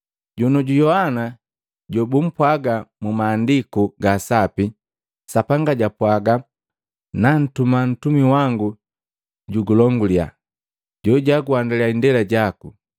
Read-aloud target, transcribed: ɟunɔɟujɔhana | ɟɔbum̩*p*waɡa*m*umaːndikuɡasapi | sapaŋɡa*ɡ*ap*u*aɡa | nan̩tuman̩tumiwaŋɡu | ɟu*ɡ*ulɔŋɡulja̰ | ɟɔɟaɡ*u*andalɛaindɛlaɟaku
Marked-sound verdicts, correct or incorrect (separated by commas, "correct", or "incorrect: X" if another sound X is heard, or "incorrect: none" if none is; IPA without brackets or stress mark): correct, correct, incorrect: ɟ, incorrect: w, correct, correct